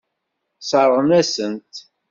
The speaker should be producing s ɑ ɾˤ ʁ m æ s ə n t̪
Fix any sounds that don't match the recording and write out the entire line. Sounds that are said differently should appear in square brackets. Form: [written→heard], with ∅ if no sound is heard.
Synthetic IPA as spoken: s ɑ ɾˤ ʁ [m→n] æ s ə n t̪